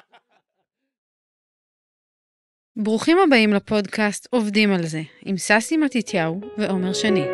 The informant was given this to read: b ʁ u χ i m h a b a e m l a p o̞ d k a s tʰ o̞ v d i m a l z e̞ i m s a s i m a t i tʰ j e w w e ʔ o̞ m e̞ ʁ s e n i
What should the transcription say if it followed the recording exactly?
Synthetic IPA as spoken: b ʁ u χ i m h a b a i m l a p o̞ d k a s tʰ o̞ v d i m a l z e̞ i m s a s i m a t i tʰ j a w v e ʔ o̞ m e̞ ʁ ʃ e n i